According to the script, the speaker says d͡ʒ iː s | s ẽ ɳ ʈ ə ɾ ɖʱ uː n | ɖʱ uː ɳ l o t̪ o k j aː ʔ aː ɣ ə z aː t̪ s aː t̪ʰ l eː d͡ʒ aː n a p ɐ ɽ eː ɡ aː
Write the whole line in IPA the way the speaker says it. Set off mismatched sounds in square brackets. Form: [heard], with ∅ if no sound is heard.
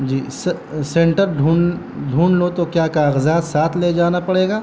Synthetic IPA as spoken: d͡ʒ iː s | s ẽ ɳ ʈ ə ɾ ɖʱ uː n | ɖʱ uː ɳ l o t̪ o k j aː [k] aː ɣ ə z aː t̪ s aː t̪ʰ l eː d͡ʒ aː n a p ɐ ɽ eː ɡ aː